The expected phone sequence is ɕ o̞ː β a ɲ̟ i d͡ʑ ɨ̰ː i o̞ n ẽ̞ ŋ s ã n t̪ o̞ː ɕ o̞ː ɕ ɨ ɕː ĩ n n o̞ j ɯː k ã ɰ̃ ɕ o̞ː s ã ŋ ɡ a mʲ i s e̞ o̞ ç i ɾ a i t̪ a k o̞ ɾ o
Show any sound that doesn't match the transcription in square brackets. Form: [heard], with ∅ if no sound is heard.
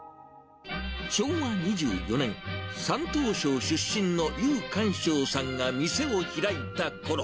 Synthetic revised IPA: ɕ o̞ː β a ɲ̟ i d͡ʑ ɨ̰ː [j] o̞ n ẽ̞ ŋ s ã n t̪ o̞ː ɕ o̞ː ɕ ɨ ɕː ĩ n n o̞ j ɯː k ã ɰ̃ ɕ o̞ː s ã ŋ ɡ a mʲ i s e̞ o̞ ç i ɾ a i t̪ a k o̞ ɾ o

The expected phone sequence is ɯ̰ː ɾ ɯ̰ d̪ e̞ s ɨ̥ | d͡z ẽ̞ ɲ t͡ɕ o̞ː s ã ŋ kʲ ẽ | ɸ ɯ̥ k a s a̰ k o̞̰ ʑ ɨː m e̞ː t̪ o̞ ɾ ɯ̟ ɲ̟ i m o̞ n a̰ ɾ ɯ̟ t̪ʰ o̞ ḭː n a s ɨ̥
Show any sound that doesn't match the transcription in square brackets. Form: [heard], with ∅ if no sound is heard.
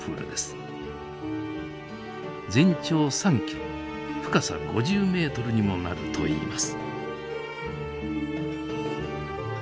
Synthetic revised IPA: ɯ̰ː ɾ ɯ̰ d̪ e̞ s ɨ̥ | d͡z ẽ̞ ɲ t͡ɕ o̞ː s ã ŋ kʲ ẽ | ɸ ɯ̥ k a s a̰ [ɡ] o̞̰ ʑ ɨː m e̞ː t̪ o̞ ɾ ɯ̟ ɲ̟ i m o̞ n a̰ ɾ ɯ̟ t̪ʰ o̞ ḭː [m] a s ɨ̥

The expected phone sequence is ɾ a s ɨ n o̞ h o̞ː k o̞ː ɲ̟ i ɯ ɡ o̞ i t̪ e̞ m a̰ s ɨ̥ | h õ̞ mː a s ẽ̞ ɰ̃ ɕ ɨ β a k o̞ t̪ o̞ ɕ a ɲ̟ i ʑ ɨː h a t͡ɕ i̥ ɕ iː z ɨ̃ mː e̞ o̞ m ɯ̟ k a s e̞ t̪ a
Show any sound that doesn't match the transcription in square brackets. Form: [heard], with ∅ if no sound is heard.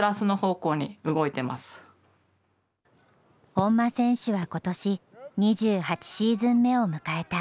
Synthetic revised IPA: ɾ a s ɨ n o̞ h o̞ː k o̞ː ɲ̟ i ɯ ɡ o̞ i t̪ e̞ m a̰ s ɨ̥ | h õ̞ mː a s ẽ̞ ɰ̃ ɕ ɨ β a k o̞ t̪ o̞ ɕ [i] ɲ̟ i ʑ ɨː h a t͡ɕ i̥ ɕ iː z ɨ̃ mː e̞ o̞ m ɯ̟ k a [∅] e̞ t̪ a

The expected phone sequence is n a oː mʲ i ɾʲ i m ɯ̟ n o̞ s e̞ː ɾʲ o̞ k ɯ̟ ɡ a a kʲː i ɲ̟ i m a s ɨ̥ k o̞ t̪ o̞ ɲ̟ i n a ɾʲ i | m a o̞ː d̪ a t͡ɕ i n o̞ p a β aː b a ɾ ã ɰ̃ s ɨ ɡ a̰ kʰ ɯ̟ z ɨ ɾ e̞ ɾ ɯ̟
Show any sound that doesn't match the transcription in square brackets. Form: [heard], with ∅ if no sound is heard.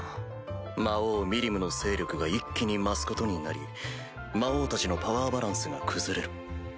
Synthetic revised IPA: [m] a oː mʲ i ɾʲ i m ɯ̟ n o̞ s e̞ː ɾʲ o̞ k ɯ̟ ɡ a [i] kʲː i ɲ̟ i m a s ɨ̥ k o̞ t̪ o̞ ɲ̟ i n a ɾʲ i | m a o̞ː [t̪] a t͡ɕ i n o̞ p a β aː b a ɾ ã ɰ̃ s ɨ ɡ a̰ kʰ ɯ̟ z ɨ ɾ e̞ ɾ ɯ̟

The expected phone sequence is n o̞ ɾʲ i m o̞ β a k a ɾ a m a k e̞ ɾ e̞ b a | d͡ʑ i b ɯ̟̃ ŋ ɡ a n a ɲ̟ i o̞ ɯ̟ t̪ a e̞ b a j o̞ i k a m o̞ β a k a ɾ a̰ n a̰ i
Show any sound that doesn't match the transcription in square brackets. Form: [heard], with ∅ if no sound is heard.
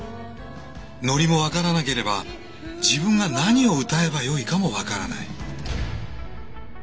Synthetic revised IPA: n o̞ ɾʲ i m o̞ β a k a ɾ a [n] a k e̞ ɾ e̞ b a | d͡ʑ i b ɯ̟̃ ŋ ɡ a n a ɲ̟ i o̞ ɯ̟ t̪ a e̞ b a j o̞ i k a m o̞ β a k a ɾ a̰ n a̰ i

